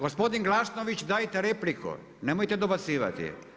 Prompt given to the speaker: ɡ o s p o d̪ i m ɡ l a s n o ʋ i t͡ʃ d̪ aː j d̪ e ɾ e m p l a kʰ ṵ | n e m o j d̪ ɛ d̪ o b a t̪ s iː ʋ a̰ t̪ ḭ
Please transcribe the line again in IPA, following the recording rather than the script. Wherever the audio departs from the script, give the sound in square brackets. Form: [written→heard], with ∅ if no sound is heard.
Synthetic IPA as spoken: ɡ o s p o d̪ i [m→n] ɡ l a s n o ʋ i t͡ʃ d̪ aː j [d̪→t̪] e ɾ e [m→∅] p l [a→i] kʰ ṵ | n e m o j [d̪→t̪] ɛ d̪ o b a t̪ s iː ʋ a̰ t̪ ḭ